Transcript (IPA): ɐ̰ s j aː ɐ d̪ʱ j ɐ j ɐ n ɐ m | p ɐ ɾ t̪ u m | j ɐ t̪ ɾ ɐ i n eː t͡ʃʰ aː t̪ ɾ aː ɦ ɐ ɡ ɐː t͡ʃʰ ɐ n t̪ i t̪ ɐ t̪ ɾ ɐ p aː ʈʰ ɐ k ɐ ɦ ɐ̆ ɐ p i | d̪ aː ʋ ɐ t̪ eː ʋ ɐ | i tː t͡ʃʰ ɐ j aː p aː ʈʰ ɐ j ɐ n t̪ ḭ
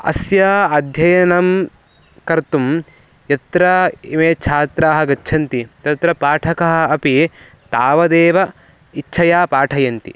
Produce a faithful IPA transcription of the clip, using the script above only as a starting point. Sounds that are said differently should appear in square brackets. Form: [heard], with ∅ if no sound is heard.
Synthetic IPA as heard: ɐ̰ s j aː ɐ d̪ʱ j ɐ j ɐ n ɐ m | [k] ɐ ɾ t̪ u m | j ɐ t̪ ɾ ɐ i [m] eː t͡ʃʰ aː t̪ ɾ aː ɦ ɐ ɡ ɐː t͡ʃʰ ɐ n t̪ i t̪ ɐ t̪ ɾ ɐ p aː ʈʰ ɐ k ɐ ɦ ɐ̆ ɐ p i | [t̪] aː ʋ ɐ [d̪] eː ʋ ɐ | i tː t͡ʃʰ ɐ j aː p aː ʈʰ ɐ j ɐ n t̪ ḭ